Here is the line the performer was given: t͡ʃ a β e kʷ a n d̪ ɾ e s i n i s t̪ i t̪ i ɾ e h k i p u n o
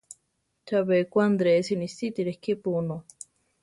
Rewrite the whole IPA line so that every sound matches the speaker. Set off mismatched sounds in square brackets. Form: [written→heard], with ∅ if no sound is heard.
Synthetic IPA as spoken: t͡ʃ a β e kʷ a n d̪ ɾ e s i n i s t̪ i t̪ i ɾ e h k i p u n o

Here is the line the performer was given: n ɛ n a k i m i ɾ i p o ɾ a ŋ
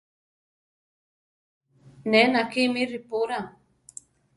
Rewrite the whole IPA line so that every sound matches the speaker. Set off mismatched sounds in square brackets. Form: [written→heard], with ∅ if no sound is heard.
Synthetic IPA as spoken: n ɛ n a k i m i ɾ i p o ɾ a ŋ

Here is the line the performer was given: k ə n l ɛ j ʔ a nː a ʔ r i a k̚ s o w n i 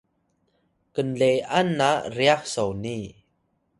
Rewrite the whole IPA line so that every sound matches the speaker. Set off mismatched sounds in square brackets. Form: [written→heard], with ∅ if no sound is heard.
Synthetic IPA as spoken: k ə n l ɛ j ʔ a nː a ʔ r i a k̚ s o w n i

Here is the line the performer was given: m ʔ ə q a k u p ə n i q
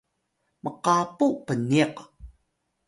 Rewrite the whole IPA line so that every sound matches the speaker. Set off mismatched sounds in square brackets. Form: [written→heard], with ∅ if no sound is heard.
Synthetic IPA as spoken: m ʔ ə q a [k→p] u p ə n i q

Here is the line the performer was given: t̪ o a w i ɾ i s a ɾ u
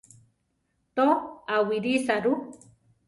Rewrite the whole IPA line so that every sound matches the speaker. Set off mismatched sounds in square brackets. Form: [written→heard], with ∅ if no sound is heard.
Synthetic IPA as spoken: t̪ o a w i ɾ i s a ɾ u

